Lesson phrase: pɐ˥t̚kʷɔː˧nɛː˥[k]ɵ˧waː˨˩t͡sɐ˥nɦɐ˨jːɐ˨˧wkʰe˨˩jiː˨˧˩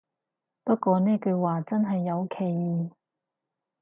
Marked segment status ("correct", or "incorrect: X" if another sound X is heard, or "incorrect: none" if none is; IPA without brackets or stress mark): correct